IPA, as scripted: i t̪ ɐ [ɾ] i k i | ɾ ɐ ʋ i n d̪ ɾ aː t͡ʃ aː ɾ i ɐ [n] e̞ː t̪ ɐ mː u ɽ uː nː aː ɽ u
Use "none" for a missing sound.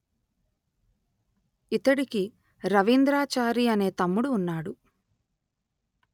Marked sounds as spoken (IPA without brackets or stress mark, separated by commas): ɽ, n